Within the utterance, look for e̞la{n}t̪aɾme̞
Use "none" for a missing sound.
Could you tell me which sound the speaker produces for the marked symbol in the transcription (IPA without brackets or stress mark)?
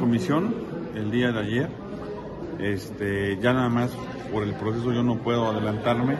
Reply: n